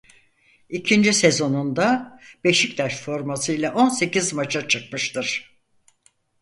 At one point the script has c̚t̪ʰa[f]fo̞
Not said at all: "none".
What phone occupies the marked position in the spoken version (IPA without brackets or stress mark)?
ʃ